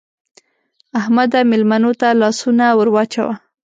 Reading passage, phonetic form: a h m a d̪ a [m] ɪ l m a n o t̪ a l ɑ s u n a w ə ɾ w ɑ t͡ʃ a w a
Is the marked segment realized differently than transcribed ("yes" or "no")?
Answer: no